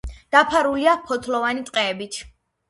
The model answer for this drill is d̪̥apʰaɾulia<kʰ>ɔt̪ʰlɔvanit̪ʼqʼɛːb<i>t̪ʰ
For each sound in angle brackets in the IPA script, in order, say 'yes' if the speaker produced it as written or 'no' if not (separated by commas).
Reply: no, yes